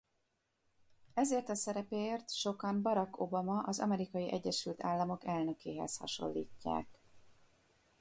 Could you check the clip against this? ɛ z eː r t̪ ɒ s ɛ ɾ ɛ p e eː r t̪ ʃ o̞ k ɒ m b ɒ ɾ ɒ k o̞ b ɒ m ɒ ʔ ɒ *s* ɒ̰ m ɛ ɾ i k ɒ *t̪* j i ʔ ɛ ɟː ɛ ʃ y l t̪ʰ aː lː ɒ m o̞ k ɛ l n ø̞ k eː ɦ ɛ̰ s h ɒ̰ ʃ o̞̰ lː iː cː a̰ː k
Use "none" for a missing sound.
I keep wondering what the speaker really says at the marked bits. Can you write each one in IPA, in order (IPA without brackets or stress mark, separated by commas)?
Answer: z, none